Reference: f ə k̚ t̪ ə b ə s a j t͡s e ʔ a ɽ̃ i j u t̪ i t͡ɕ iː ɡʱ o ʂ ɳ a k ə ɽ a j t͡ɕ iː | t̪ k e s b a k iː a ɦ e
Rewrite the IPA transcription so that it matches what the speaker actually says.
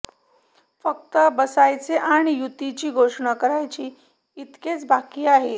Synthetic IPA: f ə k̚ t̪ ə b ə s a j t͡s e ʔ a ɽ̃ i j u t̪ i t͡ɕ iː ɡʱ o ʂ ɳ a k ə ɾ a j t͡ɕ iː | t̪ k e t͡s b a k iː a ɦ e